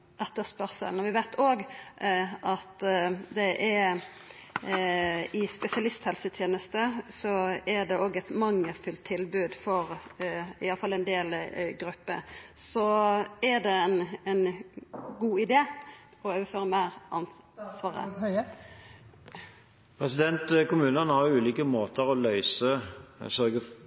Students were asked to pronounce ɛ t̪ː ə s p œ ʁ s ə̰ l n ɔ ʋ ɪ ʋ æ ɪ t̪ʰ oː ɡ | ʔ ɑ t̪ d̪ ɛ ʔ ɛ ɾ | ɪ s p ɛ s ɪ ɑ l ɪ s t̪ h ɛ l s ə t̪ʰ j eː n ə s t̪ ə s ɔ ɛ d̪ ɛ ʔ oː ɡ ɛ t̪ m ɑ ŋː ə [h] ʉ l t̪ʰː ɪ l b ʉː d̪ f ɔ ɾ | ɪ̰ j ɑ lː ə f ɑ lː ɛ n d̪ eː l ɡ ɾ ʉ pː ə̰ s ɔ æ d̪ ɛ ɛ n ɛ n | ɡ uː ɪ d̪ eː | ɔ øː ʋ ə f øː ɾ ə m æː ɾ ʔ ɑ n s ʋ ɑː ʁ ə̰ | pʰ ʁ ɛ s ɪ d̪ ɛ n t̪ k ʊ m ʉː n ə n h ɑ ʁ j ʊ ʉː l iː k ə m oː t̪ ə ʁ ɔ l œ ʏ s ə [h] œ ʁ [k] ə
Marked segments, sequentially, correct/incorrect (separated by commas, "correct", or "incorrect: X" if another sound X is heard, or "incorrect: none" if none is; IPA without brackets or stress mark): incorrect: f, incorrect: s, incorrect: ɡ